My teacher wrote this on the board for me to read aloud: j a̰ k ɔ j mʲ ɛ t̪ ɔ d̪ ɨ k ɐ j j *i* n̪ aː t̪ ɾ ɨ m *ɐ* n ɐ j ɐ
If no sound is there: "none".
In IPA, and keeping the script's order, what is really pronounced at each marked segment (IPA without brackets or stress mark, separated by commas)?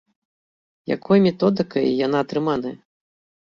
a, a